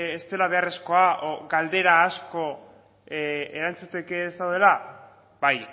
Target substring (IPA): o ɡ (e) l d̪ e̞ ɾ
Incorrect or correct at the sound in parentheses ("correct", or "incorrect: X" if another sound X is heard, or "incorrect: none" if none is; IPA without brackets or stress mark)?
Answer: incorrect: a